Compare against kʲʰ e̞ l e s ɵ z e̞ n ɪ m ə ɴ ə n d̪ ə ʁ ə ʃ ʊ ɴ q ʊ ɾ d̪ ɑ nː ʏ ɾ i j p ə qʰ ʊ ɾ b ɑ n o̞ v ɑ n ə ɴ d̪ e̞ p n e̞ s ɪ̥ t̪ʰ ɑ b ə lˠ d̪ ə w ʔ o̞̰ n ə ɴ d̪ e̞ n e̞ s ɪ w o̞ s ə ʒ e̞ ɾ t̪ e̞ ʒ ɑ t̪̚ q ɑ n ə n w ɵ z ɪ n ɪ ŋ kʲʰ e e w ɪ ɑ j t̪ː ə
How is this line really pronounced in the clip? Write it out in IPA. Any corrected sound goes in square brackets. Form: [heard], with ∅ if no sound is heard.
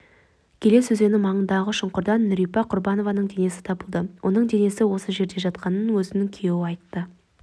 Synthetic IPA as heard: kʲʰ e̞ l e s ɵ z e̞ n ɪ m [ɑ] ɴ ə n d̪ [ɑ] ʁ ə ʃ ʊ ɴ q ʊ ɾ d̪ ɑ nː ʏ ɾ i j p [ɑ] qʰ ʊ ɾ b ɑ n o̞ v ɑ n ə ɴ d̪ e̞ [∅] n e̞ s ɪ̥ t̪ʰ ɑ b ə lˠ d̪ ə w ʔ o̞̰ n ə ɴ d̪ e̞ n e̞ s ɪ w o̞ s ə ʒ e̞ ɾ [d̪] e̞ ʒ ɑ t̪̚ q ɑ n ə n w ɵ z ɪ n ɪ ŋ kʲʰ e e w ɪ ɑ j t̪ː ə

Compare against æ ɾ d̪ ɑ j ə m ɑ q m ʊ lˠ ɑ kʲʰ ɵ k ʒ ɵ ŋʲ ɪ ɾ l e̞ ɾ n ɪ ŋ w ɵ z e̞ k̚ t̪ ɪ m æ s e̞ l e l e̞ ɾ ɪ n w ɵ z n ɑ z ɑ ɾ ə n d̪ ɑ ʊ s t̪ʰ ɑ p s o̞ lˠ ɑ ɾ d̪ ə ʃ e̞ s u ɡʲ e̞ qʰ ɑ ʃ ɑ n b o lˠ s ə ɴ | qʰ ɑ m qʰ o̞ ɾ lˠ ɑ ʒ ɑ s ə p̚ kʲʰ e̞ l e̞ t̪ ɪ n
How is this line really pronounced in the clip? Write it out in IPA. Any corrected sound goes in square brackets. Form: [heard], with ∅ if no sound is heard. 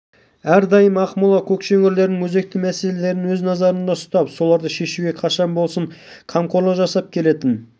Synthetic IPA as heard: æ ɾ d̪ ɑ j ə m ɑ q m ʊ lˠ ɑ kʲʰ ɵ k [ʃ] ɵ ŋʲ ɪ ɾ l e̞ ɾ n ɪ ŋ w ɵ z e̞ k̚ t̪ ɪ m æ s e̞ l e l e̞ ɾ ɪ n w ɵ z n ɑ z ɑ ɾ ə n d̪ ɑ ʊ s [t̪] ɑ p s o̞ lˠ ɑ ɾ d̪ ə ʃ e̞ [ʃ] u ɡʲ e̞ qʰ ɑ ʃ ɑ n b o lˠ s ə ɴ | qʰ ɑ m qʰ o̞ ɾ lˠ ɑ ʒ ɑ s [ɑ] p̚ kʲʰ e̞ l e̞ t̪ ɪ n

